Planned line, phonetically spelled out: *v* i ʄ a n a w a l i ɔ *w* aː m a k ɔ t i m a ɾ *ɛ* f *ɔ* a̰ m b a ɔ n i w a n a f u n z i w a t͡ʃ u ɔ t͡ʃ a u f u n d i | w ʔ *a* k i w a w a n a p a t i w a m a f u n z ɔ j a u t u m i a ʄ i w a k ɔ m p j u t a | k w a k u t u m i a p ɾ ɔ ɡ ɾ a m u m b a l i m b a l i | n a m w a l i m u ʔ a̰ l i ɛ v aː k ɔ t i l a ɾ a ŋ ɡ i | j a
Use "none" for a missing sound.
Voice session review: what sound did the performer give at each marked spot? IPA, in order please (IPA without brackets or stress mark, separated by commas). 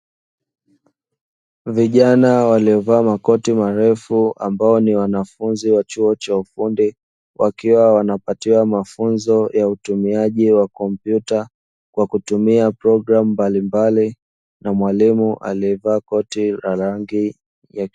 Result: v, v, ɛ, u, a